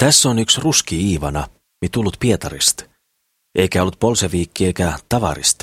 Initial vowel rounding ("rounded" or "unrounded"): unrounded